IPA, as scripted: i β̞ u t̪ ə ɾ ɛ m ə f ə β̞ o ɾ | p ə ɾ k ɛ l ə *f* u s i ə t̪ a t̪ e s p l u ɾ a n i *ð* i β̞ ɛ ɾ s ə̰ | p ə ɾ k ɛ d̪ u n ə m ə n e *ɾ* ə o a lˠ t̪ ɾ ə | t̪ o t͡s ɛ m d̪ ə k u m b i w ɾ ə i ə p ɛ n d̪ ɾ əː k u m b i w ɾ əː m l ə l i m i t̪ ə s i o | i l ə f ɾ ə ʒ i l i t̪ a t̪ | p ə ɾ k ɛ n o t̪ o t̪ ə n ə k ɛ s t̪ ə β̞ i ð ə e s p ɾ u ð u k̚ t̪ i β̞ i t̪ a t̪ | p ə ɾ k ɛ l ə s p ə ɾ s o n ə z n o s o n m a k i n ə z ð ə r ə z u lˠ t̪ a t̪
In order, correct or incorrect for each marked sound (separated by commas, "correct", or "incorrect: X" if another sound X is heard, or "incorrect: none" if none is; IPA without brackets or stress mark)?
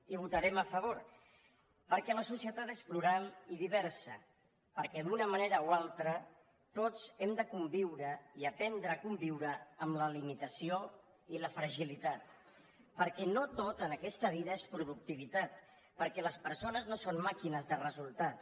incorrect: s, correct, correct